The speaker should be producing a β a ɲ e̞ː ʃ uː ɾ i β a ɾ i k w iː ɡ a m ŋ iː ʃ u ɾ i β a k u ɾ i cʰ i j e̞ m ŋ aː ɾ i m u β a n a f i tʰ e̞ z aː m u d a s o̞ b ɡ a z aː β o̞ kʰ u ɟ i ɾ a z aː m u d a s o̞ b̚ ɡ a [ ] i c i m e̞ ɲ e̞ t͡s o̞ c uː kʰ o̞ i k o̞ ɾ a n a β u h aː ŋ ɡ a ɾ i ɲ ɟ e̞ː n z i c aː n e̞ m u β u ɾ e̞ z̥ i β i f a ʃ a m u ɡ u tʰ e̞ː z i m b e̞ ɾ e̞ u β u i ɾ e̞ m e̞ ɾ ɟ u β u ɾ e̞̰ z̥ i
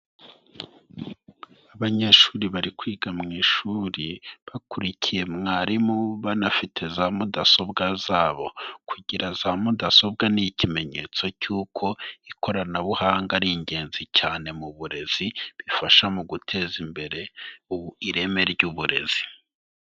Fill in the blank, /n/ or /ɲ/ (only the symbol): n